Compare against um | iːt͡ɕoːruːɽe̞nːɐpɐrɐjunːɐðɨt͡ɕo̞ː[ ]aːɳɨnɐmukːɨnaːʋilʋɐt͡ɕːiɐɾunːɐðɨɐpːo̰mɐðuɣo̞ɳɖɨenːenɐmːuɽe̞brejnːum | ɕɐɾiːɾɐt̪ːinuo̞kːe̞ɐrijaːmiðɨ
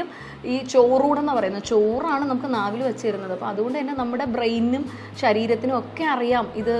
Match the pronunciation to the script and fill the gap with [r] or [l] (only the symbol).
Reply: r